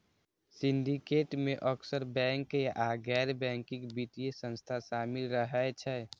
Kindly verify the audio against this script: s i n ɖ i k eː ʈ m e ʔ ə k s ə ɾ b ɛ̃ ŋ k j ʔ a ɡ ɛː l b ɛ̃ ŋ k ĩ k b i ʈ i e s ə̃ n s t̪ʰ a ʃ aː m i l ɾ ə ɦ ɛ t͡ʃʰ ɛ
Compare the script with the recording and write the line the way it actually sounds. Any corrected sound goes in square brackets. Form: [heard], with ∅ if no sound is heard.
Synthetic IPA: s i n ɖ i k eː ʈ m e ʔ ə k s ə ɾ b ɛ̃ ŋ k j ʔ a ɡ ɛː [ɾ] b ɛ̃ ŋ k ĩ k b i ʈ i e s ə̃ n s t̪ʰ a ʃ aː m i l ɾ ə ɦ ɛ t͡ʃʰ ɛ